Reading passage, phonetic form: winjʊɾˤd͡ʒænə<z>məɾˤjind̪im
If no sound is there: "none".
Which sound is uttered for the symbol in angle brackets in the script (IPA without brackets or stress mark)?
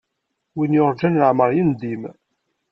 ʕ